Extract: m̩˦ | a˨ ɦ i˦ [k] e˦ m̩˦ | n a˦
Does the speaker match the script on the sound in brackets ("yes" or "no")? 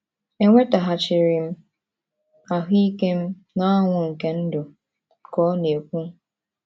yes